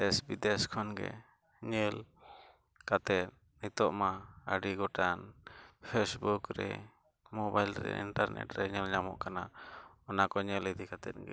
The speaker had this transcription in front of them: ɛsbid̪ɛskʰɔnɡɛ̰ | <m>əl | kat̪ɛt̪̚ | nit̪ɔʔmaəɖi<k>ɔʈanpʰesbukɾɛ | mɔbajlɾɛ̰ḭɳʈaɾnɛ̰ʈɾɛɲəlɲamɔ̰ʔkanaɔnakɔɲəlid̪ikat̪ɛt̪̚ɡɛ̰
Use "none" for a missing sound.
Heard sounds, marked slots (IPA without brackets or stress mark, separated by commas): ɲ, ɡ